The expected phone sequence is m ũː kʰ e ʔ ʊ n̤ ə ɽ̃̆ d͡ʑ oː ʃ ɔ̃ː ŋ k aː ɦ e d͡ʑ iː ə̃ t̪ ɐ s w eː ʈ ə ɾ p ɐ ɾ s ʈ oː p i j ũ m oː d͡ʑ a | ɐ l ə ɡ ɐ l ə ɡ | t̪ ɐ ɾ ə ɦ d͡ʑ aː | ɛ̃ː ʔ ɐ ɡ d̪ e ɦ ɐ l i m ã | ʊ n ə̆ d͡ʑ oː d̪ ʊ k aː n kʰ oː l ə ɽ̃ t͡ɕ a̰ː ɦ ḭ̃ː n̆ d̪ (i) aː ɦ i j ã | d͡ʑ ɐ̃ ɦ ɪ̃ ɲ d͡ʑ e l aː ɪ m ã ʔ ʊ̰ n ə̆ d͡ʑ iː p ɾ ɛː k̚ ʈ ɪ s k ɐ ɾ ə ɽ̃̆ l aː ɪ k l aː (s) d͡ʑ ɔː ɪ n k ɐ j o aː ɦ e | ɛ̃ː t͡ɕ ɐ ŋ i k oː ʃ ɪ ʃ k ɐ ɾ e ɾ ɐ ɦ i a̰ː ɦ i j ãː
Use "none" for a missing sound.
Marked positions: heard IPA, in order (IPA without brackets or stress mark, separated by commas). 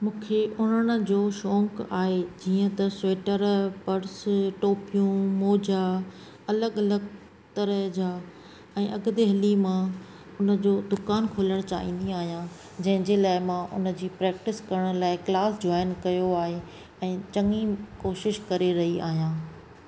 i, s